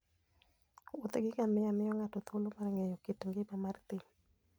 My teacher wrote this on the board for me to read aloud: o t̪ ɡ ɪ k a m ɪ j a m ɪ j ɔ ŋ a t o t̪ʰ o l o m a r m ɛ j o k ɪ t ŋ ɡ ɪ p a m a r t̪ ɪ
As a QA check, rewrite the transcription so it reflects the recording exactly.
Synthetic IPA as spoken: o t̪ ɡ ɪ k a m ɪ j a m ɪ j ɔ ŋ a t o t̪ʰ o l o m a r ŋ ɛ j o k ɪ t ŋ ɡ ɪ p a m a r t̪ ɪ

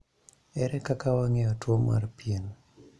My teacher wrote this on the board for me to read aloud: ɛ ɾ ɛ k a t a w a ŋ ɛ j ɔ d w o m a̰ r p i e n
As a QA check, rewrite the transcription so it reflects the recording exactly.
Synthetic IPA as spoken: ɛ ɾ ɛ k a k a w a ŋ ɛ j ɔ t w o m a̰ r p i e n

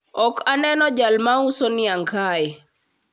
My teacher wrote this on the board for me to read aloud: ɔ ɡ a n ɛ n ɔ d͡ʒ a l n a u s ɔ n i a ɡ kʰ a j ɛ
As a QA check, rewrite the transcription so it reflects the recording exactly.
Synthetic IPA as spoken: ɔ k a n ɛ n ɔ d͡ʒ a l m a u s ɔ n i a ŋ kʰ a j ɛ

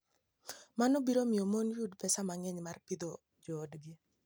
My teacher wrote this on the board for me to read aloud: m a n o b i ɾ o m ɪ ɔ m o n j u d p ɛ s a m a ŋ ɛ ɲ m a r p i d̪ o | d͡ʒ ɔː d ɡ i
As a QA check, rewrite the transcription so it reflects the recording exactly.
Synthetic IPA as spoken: m a n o b i ɾ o m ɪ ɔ m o n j u d p ɛ s a m a ŋ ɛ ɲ m a r p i d̪ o | d͡ʒ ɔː d ɡ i

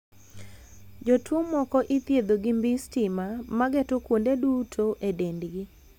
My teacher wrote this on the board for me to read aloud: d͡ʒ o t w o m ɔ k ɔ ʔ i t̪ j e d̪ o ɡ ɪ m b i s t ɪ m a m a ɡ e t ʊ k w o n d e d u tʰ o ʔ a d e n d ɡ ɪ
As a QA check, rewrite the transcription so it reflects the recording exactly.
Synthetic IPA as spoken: d͡ʒ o t w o m ɔ k ɔ ʔ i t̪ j e d̪ o ɡ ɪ m b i s t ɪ m a m a ɡ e t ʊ k w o n d e d u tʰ o ʔ e d e n d ɡ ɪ

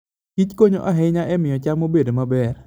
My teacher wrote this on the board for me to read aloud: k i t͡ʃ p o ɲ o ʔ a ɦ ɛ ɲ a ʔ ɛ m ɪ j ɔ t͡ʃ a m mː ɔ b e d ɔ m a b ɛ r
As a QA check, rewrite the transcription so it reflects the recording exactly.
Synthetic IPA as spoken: k i t͡ʃ k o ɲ o ʔ a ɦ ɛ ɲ a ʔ ɛ m ɪ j ɔ t͡ʃ a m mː o b e d o m a b ɛ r

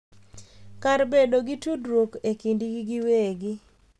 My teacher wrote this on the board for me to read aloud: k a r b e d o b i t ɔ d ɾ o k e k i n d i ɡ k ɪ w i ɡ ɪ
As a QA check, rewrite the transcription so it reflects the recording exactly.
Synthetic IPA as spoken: k a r b e d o ɡ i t u d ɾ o k e k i n d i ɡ ɡ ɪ w e ɡ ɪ

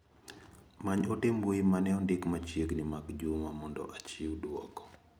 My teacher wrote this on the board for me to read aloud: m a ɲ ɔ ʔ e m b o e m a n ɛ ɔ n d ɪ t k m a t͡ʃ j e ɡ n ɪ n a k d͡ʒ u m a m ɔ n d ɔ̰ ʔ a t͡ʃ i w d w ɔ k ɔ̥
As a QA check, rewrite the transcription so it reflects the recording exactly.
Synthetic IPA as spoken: m a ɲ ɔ t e m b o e m a n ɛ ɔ n d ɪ k m a t͡ʃ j e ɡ n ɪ m a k d͡ʒ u m a m ɔ n d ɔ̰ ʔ a t͡ʃ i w d w ɔ k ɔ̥

